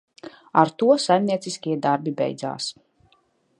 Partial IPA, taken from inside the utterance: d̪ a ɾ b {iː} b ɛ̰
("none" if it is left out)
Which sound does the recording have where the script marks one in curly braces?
i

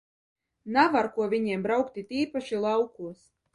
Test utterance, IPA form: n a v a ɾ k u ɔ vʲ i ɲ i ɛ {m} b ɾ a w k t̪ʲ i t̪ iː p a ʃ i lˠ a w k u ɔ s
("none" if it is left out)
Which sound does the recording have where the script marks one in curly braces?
m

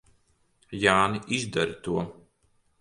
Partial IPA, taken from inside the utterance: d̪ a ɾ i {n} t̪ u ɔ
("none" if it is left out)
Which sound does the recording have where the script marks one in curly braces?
none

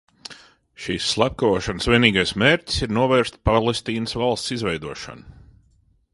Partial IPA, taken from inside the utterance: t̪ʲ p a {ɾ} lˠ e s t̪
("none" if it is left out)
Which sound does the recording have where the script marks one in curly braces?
none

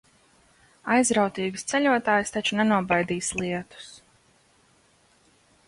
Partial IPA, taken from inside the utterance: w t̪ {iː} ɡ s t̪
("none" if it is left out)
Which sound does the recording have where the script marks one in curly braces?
iː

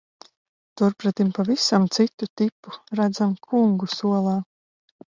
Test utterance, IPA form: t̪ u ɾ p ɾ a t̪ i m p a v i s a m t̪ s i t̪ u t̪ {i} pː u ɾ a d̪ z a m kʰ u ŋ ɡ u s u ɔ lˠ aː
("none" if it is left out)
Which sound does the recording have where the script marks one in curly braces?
i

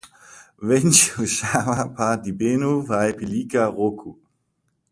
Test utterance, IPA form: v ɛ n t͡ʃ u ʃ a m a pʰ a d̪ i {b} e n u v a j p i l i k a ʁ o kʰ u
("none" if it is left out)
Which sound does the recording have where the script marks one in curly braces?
b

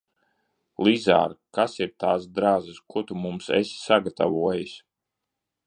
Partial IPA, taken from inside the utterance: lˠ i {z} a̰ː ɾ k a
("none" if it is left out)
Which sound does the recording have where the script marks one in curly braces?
z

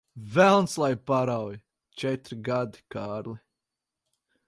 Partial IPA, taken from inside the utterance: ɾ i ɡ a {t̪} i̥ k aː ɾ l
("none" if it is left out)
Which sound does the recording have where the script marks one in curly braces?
d̪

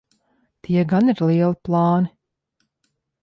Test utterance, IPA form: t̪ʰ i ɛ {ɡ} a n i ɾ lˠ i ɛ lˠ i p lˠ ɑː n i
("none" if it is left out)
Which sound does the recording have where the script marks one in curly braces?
ɡ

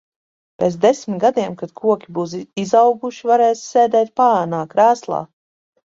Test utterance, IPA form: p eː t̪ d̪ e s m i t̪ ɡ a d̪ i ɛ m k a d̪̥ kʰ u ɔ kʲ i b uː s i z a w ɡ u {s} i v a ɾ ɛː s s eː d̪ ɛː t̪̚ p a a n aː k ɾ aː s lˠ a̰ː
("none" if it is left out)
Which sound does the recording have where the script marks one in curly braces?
ʃ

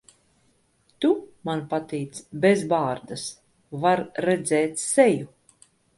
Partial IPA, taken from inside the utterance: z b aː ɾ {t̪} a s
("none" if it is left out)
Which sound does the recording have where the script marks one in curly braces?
d̪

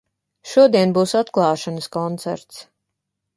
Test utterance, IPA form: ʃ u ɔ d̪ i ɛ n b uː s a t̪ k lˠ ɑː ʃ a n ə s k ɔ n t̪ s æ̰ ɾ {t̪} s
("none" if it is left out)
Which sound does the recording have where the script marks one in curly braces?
t̪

